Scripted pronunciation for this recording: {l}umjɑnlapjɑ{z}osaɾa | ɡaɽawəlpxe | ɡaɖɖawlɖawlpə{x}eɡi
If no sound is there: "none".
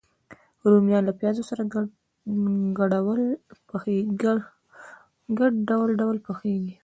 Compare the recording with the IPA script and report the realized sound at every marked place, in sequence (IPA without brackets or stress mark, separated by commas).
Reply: ɾ, z, x